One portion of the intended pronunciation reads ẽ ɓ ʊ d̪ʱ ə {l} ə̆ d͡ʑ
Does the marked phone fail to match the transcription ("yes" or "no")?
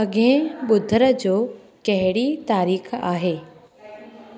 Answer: yes